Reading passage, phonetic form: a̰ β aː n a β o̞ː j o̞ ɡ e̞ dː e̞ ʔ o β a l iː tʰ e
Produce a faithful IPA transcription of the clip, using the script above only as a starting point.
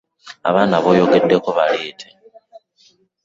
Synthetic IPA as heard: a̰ β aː n a β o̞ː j o̞ ɡ e̞ dː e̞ k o β a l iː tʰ e